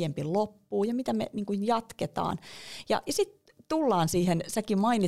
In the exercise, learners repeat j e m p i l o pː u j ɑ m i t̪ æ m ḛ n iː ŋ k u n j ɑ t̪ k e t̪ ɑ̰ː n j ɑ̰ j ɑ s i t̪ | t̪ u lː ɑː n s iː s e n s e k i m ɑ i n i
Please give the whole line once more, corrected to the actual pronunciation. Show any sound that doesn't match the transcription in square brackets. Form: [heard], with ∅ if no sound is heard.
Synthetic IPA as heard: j e m p i l o pː [uː] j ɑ m i t̪ æ m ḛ n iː ŋ k u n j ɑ t̪ k e t̪ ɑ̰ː n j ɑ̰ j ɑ s i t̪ | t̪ u lː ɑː n s iː [h] e n s [æ] k i m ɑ i n i